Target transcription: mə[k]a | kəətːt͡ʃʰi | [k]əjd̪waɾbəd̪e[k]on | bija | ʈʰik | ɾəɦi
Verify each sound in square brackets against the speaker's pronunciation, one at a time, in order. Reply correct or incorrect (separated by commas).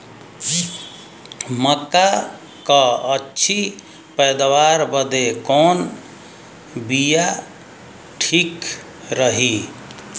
correct, incorrect, correct